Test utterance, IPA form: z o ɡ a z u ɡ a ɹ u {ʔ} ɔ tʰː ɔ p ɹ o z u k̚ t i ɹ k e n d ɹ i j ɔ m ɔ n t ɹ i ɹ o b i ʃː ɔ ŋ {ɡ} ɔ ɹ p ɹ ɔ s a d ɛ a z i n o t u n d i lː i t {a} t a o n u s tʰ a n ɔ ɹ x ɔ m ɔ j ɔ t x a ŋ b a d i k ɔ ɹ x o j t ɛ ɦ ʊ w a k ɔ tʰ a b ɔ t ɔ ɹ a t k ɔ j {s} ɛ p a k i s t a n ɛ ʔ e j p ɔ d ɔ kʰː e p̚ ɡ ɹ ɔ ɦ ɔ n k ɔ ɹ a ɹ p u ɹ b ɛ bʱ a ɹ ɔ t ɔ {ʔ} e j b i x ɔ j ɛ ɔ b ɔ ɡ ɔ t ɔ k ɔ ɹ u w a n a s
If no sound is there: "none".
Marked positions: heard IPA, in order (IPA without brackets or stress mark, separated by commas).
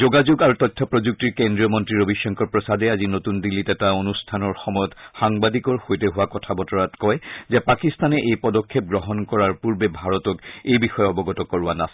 t, k, ɛ, z, k